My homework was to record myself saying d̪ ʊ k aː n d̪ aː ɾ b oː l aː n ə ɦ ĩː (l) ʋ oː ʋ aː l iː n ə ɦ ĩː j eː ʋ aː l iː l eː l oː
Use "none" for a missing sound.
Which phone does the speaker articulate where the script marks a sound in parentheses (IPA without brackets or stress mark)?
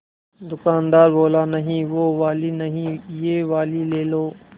none